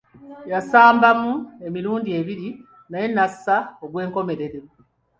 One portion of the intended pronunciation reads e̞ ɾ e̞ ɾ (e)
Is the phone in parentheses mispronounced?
no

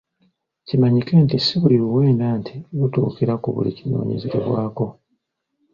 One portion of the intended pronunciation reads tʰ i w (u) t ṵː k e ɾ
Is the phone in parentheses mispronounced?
no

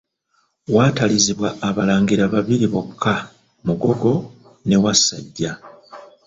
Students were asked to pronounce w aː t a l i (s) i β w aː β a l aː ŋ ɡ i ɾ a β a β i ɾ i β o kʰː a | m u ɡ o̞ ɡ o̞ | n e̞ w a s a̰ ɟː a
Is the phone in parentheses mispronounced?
yes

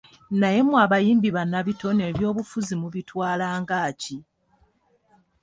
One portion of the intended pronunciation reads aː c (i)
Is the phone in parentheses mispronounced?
no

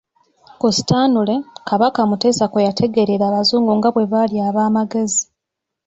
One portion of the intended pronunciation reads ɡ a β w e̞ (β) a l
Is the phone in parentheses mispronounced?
no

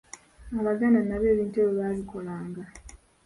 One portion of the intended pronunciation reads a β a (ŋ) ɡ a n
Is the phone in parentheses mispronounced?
yes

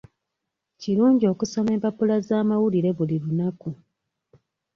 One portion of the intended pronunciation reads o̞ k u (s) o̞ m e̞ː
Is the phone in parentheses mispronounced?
no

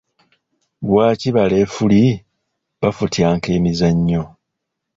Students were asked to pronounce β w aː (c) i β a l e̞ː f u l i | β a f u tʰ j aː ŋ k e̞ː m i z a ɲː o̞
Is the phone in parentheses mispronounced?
no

